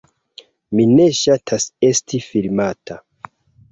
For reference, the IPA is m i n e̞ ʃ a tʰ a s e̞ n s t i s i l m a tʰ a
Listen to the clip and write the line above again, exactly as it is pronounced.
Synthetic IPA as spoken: m i n e̞ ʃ a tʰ a s e̞ s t i f i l m a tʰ a